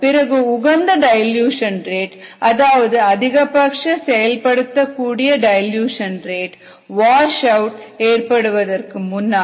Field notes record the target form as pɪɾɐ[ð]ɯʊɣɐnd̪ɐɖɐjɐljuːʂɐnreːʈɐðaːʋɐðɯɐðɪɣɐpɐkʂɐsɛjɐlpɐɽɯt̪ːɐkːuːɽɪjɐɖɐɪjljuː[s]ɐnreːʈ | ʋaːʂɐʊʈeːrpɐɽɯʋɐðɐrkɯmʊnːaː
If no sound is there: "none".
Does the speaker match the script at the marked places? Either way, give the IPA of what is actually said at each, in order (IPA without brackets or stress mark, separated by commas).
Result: ɣ, ʂ